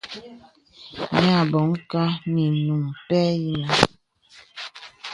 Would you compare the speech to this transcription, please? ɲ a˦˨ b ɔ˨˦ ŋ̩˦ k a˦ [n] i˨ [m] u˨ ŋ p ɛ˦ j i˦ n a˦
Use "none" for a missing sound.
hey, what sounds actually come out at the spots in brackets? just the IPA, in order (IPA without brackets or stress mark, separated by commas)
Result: n, n